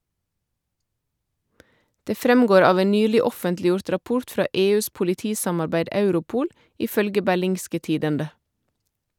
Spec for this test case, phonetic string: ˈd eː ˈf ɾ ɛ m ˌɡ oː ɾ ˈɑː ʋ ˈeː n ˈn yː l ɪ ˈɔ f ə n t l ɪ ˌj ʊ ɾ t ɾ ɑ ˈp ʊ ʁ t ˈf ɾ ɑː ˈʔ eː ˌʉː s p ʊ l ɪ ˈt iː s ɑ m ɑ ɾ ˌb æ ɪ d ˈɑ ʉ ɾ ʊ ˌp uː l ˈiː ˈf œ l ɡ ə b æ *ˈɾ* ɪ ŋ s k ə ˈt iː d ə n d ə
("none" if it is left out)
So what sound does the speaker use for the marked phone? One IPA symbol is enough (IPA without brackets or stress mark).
l